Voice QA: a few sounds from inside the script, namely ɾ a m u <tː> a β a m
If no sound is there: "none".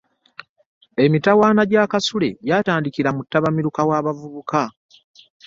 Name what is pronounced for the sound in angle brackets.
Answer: tː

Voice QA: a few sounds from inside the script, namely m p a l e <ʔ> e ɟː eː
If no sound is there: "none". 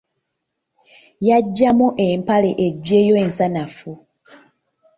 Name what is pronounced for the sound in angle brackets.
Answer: ʔ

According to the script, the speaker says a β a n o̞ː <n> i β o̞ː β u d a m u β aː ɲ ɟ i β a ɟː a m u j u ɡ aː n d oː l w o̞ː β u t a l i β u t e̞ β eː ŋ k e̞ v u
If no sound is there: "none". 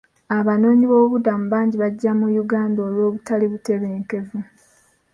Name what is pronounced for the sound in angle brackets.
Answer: ɲ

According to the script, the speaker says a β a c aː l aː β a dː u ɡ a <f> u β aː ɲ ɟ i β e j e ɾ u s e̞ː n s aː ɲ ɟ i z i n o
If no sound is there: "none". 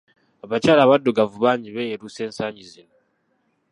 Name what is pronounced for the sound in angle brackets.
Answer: v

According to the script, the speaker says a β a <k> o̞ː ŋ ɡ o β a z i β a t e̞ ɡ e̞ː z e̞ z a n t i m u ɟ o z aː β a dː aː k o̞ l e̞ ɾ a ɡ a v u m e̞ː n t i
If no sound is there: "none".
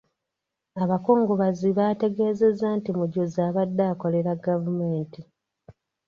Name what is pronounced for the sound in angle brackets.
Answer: k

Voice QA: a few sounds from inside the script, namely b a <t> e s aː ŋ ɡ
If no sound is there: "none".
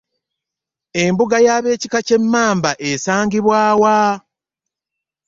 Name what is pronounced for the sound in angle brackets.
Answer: ʔ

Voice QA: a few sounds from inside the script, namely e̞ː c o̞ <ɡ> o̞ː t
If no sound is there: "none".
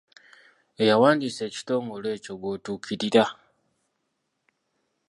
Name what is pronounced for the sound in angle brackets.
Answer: ɡ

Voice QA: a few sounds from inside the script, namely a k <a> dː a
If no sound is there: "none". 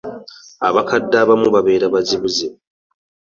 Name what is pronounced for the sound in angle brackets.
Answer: a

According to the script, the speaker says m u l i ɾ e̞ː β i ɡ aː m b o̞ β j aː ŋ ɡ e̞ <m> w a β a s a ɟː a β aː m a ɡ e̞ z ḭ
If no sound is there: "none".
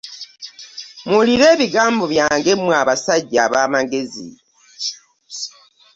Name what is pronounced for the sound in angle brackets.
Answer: m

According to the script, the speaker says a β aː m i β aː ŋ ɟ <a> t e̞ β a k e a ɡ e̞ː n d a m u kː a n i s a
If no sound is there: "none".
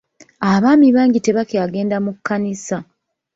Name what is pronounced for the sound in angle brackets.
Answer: i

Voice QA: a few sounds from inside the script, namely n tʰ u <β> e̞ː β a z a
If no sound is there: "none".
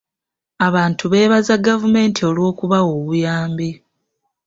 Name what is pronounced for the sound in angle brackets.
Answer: β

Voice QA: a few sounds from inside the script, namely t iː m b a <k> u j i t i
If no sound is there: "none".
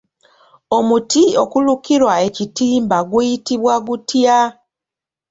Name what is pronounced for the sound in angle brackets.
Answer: ɡ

